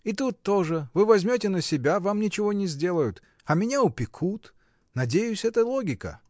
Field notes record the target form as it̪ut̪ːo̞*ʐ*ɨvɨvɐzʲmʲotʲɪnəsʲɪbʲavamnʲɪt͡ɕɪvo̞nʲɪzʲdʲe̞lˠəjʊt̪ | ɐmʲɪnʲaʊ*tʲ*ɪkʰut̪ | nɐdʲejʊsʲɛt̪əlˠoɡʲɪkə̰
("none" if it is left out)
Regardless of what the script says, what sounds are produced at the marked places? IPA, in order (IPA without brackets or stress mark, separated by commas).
ʐ, pʲ